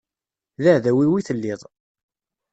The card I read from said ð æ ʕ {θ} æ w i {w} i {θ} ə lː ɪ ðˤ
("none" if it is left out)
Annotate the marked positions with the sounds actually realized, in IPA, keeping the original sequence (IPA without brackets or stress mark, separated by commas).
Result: ð, w, θ